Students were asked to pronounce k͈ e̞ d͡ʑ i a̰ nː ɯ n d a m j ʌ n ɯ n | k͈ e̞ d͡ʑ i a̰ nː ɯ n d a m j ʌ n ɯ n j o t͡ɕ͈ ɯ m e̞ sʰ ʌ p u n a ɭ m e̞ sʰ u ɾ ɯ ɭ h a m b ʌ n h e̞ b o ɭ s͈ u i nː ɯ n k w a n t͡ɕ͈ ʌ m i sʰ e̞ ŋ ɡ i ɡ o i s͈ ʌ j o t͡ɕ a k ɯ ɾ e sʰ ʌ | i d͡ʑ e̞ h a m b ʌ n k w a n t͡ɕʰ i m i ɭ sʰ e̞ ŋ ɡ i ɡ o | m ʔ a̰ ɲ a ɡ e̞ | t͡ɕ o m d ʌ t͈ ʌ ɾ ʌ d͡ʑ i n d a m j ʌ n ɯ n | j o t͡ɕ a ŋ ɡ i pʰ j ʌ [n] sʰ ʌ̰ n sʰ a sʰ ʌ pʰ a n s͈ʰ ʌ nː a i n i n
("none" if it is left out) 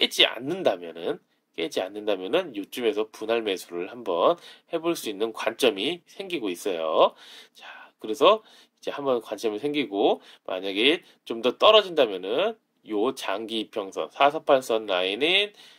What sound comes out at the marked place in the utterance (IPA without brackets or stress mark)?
ŋ